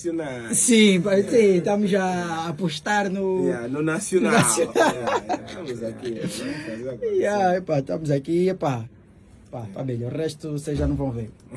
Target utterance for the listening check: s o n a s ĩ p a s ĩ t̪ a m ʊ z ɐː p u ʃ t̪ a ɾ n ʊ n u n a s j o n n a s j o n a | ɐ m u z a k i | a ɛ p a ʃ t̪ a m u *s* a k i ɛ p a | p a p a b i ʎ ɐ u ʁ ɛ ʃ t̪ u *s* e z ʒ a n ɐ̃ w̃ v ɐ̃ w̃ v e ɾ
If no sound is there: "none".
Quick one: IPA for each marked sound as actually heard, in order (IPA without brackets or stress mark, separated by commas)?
z, s